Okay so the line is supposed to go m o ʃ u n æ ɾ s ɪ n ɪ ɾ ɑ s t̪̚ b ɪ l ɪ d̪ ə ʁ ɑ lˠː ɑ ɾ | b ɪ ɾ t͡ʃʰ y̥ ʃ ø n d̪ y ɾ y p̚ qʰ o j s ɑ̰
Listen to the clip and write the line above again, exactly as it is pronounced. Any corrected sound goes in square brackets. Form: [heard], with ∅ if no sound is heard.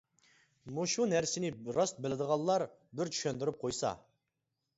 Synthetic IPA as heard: m [u] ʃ u n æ ɾ s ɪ n ɪ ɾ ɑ s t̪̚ b ɪ l ɪ d̪ ə ʁ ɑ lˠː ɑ ɾ | b ɪ ɾ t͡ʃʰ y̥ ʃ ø n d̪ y ɾ y p̚ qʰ o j s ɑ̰